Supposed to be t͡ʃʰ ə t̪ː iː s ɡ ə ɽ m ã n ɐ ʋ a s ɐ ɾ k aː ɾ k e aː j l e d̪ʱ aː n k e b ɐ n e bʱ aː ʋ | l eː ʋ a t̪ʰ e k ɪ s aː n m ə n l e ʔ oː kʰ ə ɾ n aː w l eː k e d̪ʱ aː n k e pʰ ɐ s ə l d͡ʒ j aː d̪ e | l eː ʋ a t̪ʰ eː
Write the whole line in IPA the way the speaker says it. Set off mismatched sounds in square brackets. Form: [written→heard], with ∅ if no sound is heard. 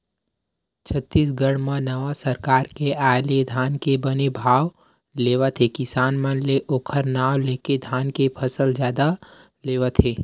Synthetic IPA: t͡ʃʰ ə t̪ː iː s ɡ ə ɽ m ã n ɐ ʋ a s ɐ ɾ k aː ɾ k e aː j l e d̪ʱ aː n k e b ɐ n e bʱ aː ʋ | l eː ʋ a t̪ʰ e k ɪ s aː n m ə n l e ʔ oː kʰ ə ɾ n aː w l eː k e d̪ʱ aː n k e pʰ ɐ s ə l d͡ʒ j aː d̪ [e→a] | l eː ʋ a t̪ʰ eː

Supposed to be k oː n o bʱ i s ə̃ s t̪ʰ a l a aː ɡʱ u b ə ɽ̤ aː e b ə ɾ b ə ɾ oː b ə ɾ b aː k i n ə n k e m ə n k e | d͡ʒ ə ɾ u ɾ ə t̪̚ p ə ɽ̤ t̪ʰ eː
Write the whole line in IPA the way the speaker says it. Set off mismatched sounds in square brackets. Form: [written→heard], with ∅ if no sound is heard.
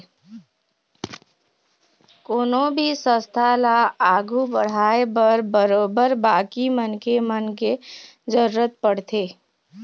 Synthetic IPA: k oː n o bʱ i s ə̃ s t̪ʰ a l a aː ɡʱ u b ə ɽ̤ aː e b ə ɾ b ə ɾ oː b ə ɾ b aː k i [n→m] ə n k e m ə n k e | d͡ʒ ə ɾ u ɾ ə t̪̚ p ə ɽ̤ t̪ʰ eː

